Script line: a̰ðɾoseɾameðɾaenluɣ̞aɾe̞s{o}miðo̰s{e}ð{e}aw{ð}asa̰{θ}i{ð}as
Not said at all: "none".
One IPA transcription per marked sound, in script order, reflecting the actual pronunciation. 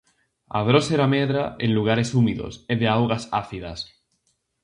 u, e, e, ɣ, θ, ð

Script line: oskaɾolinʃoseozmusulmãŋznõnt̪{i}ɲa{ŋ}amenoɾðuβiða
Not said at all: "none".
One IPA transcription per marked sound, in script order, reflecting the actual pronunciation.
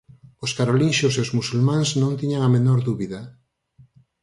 i, ŋ

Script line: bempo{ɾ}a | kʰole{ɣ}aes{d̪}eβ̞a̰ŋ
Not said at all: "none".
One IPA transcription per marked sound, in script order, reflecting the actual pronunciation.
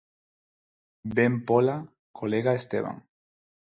l, ɣ, t̪

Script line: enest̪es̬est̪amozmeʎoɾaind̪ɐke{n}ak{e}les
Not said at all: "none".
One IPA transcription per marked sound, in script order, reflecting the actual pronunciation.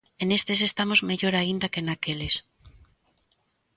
n, e

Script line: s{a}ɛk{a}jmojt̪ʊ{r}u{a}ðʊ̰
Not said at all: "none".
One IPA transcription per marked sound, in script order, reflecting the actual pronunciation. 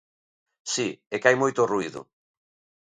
i, a, r, i

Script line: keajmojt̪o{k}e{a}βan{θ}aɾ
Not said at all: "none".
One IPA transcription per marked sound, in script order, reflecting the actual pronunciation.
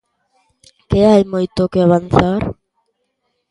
k, a, θ

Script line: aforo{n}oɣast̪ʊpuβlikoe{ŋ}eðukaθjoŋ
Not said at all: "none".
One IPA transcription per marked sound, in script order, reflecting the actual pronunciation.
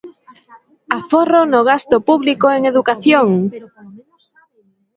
n, ŋ

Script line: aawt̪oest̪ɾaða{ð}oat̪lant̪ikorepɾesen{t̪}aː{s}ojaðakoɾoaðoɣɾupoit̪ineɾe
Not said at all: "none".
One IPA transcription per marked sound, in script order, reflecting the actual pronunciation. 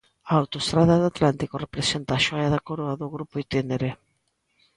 ð, t̪, ʃ

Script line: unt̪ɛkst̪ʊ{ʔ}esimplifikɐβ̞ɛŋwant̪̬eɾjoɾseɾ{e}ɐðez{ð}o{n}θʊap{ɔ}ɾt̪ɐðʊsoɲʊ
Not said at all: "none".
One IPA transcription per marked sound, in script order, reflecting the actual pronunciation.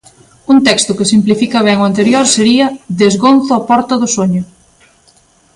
k, i, ɣ, n, ɔ

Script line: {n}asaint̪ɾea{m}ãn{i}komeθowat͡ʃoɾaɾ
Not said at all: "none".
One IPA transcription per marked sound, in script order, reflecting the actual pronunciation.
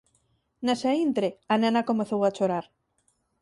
n, n, a

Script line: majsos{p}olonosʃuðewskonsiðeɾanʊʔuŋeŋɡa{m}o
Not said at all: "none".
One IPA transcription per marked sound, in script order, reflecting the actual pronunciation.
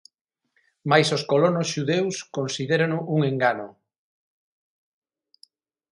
k, n

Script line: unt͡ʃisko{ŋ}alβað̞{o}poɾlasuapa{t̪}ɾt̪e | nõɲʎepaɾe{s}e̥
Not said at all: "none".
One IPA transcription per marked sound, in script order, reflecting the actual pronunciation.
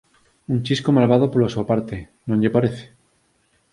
m, o, none, θ

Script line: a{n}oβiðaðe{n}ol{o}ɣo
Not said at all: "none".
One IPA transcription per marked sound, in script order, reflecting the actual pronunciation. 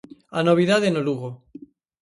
n, n, u

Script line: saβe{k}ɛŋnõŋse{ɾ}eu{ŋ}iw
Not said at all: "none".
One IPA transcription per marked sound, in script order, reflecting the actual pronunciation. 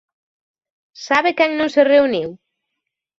k, r, n

